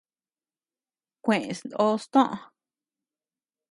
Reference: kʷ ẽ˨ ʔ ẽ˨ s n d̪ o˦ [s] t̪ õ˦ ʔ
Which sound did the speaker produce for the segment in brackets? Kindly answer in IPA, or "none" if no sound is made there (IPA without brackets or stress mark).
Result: s